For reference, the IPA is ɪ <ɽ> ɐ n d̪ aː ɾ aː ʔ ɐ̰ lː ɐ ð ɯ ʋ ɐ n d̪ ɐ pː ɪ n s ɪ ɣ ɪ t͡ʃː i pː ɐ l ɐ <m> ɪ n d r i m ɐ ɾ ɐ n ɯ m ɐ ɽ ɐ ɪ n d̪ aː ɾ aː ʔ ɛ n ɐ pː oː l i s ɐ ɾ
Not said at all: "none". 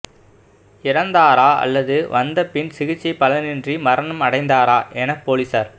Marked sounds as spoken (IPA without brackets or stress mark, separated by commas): ɾ, n